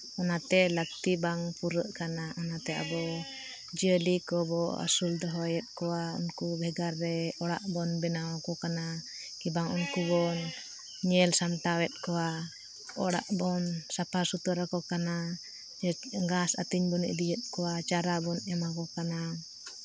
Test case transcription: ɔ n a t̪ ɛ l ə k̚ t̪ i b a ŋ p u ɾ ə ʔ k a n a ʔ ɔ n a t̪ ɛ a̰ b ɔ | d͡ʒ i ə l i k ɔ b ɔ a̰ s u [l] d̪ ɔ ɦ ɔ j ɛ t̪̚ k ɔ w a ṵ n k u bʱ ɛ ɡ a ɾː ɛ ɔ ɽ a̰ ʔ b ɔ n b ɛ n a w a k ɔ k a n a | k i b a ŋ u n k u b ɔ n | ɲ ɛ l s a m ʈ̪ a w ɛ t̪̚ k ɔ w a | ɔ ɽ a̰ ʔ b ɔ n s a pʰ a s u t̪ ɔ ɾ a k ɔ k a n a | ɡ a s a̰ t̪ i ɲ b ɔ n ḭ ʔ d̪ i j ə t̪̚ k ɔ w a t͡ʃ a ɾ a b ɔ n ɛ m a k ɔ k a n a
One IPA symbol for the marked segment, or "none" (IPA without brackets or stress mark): l